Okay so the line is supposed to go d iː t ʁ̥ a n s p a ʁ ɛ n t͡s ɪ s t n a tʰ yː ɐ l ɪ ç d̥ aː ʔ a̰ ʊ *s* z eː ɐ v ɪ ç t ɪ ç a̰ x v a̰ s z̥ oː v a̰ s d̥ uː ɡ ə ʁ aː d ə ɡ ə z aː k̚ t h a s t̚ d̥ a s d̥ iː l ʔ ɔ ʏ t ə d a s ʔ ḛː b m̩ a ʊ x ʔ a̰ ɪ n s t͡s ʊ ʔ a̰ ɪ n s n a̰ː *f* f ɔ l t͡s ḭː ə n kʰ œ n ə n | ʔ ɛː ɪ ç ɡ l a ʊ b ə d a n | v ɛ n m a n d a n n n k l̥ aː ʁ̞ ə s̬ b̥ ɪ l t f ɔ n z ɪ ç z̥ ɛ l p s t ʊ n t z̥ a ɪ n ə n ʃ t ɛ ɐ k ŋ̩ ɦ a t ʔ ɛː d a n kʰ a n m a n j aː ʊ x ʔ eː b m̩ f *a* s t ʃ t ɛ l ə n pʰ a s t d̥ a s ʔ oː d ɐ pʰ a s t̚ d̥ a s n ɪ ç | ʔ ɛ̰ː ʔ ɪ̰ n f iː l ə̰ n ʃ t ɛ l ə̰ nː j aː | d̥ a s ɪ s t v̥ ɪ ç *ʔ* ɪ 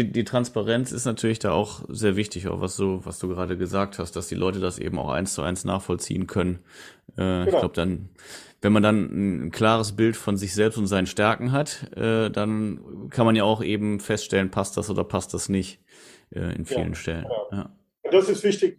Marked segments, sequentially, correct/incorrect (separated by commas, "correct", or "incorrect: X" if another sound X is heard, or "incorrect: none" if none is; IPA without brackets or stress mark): incorrect: x, incorrect: χ, incorrect: ɛ, incorrect: t